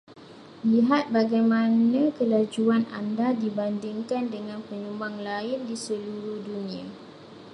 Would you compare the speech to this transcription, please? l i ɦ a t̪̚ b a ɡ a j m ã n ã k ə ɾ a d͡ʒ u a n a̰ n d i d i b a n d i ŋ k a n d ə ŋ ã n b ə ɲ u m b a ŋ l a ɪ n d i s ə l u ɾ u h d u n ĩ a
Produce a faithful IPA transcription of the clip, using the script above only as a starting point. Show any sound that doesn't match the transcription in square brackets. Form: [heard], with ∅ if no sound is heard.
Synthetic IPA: l i ɦ a t̪̚ b a ɡ a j m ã n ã k ə [l] a d͡ʒ u a n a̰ n d [a] d i b a n d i ŋ k a n d ə ŋ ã n [p] ə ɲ u m b a ŋ l a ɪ n d i s ə l u ɾ u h d u n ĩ a